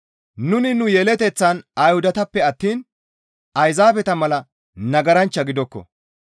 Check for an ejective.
absent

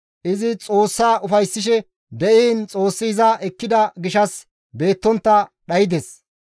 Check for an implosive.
present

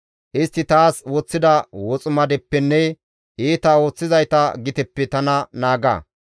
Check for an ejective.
present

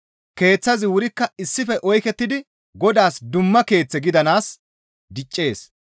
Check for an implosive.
absent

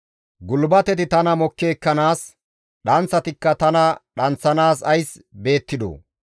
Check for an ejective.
absent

